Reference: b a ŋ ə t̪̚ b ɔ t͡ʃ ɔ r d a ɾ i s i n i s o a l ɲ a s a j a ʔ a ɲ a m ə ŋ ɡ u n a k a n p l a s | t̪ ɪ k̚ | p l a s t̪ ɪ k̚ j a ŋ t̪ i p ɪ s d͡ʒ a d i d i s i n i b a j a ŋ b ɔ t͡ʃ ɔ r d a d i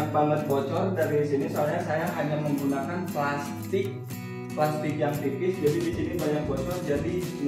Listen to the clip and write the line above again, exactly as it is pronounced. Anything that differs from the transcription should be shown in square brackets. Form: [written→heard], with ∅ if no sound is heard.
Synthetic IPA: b a ŋ ə t̪̚ b ɔ t͡ʃ ɔ r d a ɾ i s i n i s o a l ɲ a s a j a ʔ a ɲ a m ə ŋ ɡ u n a k a n p l a s | t̪ ɪ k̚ | p l a s t̪ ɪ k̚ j a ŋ t̪ i p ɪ s d͡ʒ a d i d i s i n i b a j a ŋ b ɔ t͡ʃ ɔ r [d→d͡ʒ] a d i